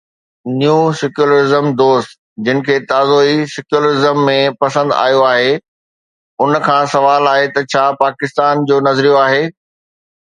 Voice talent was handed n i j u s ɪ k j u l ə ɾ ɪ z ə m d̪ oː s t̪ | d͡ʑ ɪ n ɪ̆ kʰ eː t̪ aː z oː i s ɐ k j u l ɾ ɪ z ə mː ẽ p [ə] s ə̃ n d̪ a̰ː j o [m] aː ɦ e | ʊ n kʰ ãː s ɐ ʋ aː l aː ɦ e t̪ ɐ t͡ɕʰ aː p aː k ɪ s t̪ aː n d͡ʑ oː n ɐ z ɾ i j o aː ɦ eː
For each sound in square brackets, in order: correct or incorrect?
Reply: incorrect, incorrect

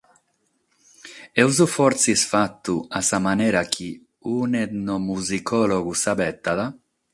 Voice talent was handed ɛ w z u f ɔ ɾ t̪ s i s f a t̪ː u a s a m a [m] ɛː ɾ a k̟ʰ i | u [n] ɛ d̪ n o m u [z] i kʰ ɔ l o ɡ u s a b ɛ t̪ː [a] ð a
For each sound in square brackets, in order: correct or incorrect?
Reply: incorrect, correct, correct, correct

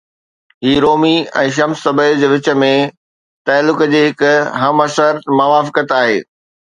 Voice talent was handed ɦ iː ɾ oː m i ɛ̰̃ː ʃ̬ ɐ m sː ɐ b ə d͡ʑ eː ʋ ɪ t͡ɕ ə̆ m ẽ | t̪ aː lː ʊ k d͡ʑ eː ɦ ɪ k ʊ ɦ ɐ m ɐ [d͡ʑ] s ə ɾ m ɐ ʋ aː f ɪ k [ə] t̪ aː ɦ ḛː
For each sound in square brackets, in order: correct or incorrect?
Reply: incorrect, correct

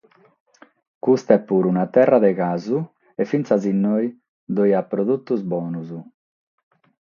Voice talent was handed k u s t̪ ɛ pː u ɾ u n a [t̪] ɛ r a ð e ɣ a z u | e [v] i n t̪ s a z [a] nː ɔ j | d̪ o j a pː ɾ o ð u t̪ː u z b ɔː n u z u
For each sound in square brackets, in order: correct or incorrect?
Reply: correct, incorrect, incorrect

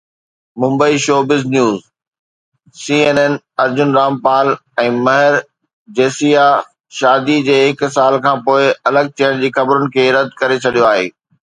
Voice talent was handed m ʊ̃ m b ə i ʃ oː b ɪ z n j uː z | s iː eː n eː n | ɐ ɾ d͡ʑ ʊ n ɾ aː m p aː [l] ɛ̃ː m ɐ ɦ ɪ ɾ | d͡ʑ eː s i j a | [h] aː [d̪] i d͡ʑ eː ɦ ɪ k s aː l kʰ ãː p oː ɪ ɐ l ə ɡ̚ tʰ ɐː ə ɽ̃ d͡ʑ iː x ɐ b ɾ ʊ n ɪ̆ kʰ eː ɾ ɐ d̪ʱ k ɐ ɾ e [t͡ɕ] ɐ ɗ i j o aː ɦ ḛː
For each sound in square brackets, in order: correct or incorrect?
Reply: correct, incorrect, correct, incorrect

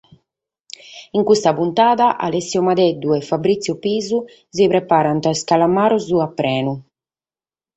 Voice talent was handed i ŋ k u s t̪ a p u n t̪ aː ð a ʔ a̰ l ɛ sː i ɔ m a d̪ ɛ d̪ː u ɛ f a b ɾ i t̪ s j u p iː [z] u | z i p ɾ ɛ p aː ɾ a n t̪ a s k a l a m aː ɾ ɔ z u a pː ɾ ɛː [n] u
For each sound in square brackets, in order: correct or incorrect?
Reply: correct, correct

